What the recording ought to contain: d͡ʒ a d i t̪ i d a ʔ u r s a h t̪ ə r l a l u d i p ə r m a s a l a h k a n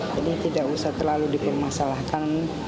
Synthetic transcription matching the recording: d͡ʒ a d i t̪ i d a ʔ u s a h t̪ ə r l a l u d i p ə r m a s a l a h k a n